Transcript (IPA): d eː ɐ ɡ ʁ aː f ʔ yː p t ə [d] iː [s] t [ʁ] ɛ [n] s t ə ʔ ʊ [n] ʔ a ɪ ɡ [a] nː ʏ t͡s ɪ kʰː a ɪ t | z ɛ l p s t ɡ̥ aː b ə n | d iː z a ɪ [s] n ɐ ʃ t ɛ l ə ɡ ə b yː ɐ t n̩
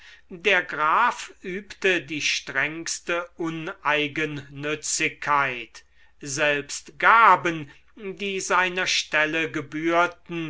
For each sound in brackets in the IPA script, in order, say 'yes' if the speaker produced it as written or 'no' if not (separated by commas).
yes, no, yes, no, yes, no, no